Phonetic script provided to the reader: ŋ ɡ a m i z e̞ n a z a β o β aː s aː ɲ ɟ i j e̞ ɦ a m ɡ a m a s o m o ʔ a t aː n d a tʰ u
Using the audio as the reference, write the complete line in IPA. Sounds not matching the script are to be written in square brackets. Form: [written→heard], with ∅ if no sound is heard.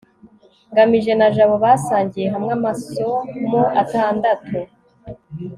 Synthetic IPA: ŋ ɡ a m i [z→ʒ] e̞ n a [z→ʒ] a β o β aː s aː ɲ ɟ i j e̞ ɦ a m [ɡ→ŋ] a m a s o m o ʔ a t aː n d a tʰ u